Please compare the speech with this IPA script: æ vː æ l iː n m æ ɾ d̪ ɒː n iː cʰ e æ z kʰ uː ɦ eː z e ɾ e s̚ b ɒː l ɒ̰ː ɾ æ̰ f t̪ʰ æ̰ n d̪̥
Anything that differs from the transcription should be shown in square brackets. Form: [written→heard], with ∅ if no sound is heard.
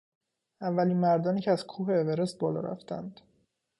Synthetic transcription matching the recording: æ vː æ l iː n m æ ɾ d̪ ɒː n iː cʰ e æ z kʰ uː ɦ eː [z→v] e ɾ e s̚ b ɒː l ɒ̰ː ɾ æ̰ f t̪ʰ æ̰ n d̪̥